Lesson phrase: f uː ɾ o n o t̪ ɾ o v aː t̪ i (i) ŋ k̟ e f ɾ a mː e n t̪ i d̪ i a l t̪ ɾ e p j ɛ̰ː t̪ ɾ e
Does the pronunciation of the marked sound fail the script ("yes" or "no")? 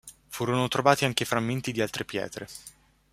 yes